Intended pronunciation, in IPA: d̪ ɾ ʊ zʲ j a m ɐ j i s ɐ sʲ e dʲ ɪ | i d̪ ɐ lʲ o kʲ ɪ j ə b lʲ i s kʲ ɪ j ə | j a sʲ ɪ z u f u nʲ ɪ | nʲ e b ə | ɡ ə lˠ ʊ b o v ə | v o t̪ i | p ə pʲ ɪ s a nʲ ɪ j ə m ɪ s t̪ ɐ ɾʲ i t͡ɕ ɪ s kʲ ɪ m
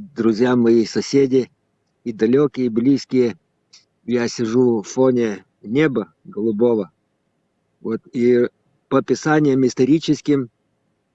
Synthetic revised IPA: d̪ ɾ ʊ zʲ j a m ɐ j i s ɐ sʲ e dʲ ɪ | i d̪ ɐ lʲ o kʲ ɪ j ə b lʲ i s kʲ ɪ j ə | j a sʲ ɪ ʐ u f o nʲ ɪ | nʲ e b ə | ɡ ə lˠ ʊ b o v ə | v o t̪ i | p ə pʲ ɪ s a nʲ ɪ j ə m ɪ s t̪ ɐ ɾʲ i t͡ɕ ɪ s kʲ ɪ m

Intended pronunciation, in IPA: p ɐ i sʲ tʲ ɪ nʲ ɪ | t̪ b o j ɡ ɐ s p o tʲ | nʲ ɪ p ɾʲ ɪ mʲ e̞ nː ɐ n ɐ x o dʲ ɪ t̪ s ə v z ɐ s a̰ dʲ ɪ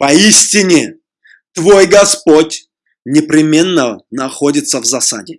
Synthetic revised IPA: p ɐ i sʲ tʲ ɪ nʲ ɪ | t̪ v o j ɡ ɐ s p o tʲ | nʲ ɪ p ɾʲ ɪ mʲ e̞ nː ə n ɐ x o dʲ ɪ t̪ s ə v z ɐ s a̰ dʲ ɪ

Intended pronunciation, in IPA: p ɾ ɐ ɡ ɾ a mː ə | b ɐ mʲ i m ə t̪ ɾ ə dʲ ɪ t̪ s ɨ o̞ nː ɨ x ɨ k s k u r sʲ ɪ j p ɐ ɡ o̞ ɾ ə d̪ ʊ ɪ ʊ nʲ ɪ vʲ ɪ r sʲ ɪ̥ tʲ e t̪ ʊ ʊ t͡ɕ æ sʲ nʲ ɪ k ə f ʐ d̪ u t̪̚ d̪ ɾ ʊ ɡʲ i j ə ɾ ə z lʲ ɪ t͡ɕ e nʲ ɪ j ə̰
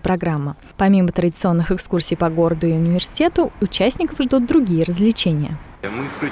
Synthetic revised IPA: p ɾ ɐ ɡ ɾ a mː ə | p ɐ mʲ i m ə t̪ ɾ ə dʲ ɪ t̪ s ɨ o̞ nː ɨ x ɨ k s k u r sʲ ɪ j p ɐ ɡ o̞ ɾ ə d̪ ʊ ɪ ʊ nʲ ɪ vʲ ɪ r sʲ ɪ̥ tʲ e t̪ ʊ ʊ t͡ɕ æ sʲ nʲ ɪ k ə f ʐ d̪ u t̪̚ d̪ ɾ ʊ ɡʲ i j ə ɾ ə z lʲ ɪ t͡ɕ e nʲ ɪ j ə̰

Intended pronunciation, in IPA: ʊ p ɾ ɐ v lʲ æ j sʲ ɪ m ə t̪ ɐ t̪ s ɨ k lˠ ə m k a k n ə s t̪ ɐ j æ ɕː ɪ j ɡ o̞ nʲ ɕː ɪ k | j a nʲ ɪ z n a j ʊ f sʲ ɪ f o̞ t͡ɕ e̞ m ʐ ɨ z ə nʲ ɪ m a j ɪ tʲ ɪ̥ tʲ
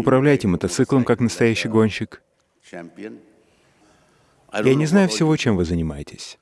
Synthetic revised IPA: ʊ p ɾ ɐ v lʲ æ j tʲ ɪ m ə t̪ ɐ t̪ s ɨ k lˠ ə m k a k n ə s t̪ ɐ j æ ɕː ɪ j ɡ o̞ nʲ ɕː ɪ k | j a nʲ ɪ z n a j ʊ f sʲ ɪ v o̞ t͡ɕ e̞ m v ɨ z ə nʲ ɪ m a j ɪ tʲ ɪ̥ sʲ

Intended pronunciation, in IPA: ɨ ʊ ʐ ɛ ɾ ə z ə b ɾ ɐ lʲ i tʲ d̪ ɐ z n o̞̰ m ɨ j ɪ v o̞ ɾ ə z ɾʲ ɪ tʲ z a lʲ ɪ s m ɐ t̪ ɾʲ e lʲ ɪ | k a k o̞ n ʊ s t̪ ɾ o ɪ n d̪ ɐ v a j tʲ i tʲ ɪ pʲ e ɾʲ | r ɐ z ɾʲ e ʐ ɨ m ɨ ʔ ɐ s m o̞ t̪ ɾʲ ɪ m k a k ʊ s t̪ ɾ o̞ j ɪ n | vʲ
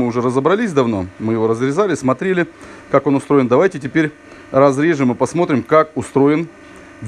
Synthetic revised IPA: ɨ ʊ ʐ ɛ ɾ ə z ə b ɾ ɐ lʲ i sʲ d̪ ɐ v n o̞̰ m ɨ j ɪ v o̞ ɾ ə z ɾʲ ɪ z a lʲ ɪ s m ɐ t̪ ɾʲ e lʲ ɪ | k a k o̞ n ʊ s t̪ ɾ o ɪ n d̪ ɐ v a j tʲ ɪ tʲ ɪ pʲ e ɾʲ | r ɐ z ɾʲ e ʐ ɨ m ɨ p ɐ s m o̞ t̪ ɾʲ ɪ m k a k ʊ s t̪ ɾ o̞ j ɪ n | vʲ

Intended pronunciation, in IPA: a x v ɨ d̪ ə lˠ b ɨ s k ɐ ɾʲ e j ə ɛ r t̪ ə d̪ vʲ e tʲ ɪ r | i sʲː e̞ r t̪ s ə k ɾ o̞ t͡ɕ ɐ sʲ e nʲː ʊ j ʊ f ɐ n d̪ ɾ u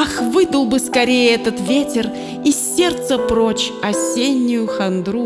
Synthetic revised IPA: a x v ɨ d̪ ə lˠ b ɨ s k ɐ ɾʲ e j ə ɛ t̪ ə t̪ vʲ e tʲ ɪ r | i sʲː e̞ r t̪ s ə p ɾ o̞ t͡ɕ ɐ sʲ e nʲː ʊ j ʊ x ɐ n d̪ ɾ u

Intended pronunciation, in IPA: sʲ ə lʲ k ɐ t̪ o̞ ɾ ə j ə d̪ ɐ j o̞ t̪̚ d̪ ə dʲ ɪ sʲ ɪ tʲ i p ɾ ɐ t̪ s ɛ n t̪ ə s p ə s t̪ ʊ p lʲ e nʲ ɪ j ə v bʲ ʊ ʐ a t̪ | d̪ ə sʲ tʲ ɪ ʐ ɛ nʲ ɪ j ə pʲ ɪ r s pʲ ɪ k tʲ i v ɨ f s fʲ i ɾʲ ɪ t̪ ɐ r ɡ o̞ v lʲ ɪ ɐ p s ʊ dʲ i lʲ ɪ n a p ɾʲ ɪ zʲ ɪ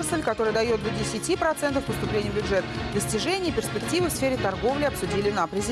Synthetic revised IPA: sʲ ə lʲ k ɐ t̪ o̞ ɾ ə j ə d̪ ɐ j o̞ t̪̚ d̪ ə dʲ ɪ sʲ ɪ tʲ i p ɾ ɐ t̪ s ɛ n t̪ ə f p ə s t̪ ʊ p lʲ e nʲ ɪ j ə v bʲ ʊ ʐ ɛ t̪ | d̪ ə sʲ tʲ ɪ ʐ ɛ nʲ ɪ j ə pʲ ɪ r s pʲ ɪ k tʲ i v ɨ f s fʲ e ɾʲ ɪ t̪ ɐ r ɡ o̞ v lʲ ɪ ɐ p s ʊ dʲ i lʲ ɪ n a p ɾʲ ɪ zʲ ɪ

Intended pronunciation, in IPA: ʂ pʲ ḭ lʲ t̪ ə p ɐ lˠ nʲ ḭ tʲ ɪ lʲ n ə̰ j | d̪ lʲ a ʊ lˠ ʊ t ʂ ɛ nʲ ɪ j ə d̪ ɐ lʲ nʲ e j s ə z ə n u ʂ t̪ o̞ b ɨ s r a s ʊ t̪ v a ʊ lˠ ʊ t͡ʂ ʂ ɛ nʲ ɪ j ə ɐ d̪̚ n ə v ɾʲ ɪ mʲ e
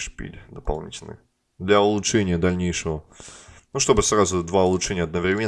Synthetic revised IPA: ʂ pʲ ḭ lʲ d̪ ə p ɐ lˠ nʲ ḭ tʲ ɪ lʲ n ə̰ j | d̪ lʲ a ʊ lˠ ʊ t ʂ ɛ nʲ ɪ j ə d̪ ɐ lʲ nʲ e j ʂ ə v ə n u ʂ t̪ o̞ b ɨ s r a z ʊ d̪ v a ʊ lˠ ʊ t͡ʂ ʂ ɛ nʲ ɪ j ə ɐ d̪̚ n ə v ɾʲ ɪ mʲ e

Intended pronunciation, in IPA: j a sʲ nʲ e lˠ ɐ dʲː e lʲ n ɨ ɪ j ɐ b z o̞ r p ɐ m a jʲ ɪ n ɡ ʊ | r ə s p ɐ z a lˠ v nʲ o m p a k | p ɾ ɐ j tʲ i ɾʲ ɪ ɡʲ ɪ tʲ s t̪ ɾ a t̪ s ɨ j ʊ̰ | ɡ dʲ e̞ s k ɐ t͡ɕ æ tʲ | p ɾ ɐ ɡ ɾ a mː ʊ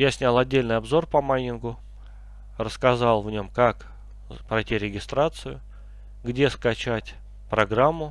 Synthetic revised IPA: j a sʲ nʲ a lˠ ɐ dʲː e lʲ n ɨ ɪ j ɐ b z o̞ r p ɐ m a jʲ ɪ n ɡ ʊ | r ə s k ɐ z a lˠ v nʲ o m k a k | p ɾ ɐ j tʲ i ɾʲ ɪ ɡʲ ɪ s t̪ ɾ a t̪ s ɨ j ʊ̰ | ɡ dʲ e̞ s k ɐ t͡ɕ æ tʲ | p ɾ ɐ ɡ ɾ a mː ʊ

